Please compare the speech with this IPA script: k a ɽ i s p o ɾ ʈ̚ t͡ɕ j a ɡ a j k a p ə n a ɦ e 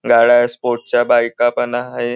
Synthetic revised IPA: ɡ a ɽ a s p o ɾ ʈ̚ t͡ɕ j a b a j k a p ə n a ɦ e